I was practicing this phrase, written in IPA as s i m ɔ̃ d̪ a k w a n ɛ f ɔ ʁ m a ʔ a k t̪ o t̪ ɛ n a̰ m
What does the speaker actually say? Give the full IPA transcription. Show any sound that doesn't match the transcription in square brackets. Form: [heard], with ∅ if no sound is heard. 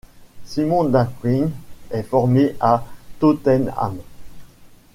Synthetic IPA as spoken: s i m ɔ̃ d̪ a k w [i] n ɛ f ɔ ʁ m [e] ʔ a [∅] t̪ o t̪ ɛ n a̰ m